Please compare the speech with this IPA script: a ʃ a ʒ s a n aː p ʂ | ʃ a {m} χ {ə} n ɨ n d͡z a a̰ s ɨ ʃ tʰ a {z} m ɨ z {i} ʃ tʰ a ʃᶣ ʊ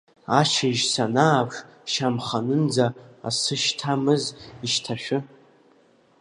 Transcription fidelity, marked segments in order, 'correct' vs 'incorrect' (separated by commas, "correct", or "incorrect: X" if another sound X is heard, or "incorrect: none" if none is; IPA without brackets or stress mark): correct, incorrect: a, incorrect: none, correct